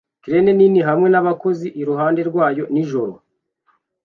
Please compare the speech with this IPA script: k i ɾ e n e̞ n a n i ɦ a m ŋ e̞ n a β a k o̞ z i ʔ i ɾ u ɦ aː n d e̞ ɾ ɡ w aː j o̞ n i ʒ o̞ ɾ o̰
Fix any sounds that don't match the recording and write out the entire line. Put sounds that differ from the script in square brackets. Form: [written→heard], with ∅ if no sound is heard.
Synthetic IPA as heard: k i ɾ e n e̞ n [a→i] n i ɦ a m ŋ e̞ n a β a k o̞ z i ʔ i ɾ u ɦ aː n d e̞ ɾ ɡ w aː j o̞ n i ʒ o̞ ɾ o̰